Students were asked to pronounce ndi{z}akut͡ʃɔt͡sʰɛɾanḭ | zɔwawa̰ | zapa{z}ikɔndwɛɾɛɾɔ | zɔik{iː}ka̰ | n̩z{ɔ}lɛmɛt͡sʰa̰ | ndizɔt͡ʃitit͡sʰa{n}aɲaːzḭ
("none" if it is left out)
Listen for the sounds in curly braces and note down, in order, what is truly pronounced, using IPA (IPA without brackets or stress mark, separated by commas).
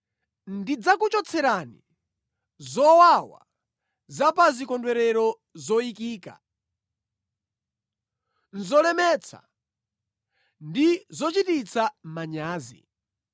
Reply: d͡z, z, iː, ɔ, m